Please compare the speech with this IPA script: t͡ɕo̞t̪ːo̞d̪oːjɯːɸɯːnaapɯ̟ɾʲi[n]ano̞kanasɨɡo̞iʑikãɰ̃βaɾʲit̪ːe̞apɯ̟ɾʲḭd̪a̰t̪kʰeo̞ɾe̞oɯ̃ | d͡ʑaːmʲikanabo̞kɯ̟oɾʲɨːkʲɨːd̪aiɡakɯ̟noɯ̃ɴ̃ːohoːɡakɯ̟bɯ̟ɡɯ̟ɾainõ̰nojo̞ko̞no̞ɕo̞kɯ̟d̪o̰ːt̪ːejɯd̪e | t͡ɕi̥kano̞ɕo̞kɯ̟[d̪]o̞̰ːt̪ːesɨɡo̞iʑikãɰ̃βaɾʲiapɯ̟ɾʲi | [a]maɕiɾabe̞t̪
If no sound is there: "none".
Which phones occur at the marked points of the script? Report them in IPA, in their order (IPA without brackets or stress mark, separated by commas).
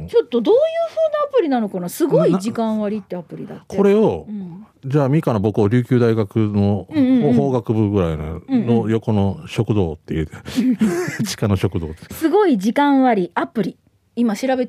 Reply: n, d̪, i